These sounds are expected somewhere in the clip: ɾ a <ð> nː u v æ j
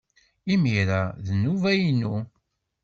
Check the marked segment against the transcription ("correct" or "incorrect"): correct